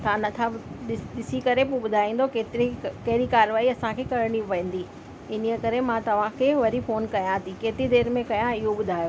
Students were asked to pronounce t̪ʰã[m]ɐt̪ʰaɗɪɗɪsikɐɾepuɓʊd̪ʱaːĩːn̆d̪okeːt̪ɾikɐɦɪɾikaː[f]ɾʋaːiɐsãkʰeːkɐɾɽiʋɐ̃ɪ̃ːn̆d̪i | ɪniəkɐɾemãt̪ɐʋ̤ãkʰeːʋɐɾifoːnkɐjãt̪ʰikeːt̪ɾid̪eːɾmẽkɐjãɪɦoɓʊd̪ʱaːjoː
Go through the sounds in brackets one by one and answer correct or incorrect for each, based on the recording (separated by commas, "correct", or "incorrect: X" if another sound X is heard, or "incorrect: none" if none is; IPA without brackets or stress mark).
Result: incorrect: n, incorrect: none